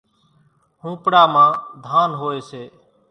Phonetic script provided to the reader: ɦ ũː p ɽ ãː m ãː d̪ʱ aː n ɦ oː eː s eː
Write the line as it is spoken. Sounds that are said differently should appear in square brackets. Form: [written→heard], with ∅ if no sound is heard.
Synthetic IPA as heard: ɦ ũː p ɽ [ãː→aː] m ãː d̪ʱ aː n ɦ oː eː s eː